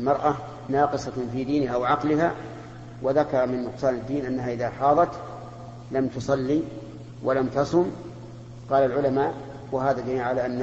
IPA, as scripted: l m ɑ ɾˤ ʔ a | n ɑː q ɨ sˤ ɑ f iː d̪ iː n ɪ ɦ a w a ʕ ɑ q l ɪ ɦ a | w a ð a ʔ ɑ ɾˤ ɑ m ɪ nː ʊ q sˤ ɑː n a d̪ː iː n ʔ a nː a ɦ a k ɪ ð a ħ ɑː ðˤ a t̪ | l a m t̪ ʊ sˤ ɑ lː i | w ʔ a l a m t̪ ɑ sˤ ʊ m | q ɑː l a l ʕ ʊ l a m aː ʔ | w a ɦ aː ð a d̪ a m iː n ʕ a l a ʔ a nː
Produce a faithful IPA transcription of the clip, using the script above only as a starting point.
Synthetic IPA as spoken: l m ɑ ɾˤ ʔ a | n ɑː q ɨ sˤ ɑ f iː d̪ iː n ɪ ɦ a w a ʕ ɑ q l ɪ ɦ a | w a ð a k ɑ ɾˤ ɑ m ɪ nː ʊ q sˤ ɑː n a d̪ː iː n ʔ a nː a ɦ a ʔ ɪ ð a ħ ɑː ðˤ ɑ t̪ | l a m t̪ ʊ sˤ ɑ lː i | w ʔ a l a m t̪ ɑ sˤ ʊ m | q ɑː l a l ʕ ʊ l a m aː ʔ | w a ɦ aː ð a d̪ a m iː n ʕ a l a ʔ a nː